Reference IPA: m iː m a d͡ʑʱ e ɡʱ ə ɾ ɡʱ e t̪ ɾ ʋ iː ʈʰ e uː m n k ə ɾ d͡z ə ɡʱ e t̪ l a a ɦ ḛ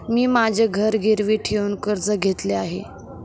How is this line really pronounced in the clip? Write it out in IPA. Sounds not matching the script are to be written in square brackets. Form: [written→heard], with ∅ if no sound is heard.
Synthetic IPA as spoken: m iː m a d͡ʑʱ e ɡʱ ə ɾ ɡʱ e [t̪→∅] ɾ ʋ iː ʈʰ e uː [m→∅] n k ə ɾ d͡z ə ɡʱ e t̪ l [a→e] a ɦ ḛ